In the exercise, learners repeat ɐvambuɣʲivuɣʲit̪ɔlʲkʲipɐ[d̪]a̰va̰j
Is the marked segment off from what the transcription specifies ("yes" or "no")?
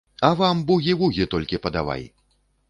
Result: no